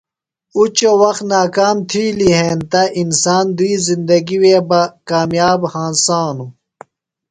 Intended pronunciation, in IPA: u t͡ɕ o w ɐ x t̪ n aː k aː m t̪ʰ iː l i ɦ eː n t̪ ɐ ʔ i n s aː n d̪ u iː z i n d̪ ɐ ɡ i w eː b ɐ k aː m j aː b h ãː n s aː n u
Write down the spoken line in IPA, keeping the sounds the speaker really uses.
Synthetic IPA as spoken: u t͡ɕ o w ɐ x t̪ n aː k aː m t̪ʰ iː l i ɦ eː n t̪ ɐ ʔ i n s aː n d̪ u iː z i n d̪ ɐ ɡ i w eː b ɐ k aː m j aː b h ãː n s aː n u